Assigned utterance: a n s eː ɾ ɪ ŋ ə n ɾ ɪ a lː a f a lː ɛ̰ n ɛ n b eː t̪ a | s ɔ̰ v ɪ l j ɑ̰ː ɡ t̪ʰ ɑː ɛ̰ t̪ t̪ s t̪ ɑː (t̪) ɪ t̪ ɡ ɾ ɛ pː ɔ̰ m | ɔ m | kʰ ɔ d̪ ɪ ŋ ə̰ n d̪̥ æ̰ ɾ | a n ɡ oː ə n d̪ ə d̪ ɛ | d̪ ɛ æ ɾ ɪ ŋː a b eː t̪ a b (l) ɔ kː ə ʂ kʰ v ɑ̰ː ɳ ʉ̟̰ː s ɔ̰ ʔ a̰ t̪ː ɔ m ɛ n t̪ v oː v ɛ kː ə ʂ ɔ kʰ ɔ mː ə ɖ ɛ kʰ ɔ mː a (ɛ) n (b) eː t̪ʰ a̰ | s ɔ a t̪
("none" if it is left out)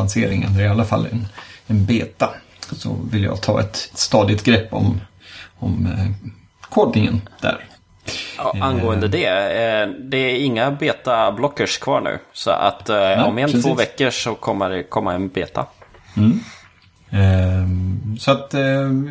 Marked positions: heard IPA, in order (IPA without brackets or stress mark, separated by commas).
d̪, l, ɛ, b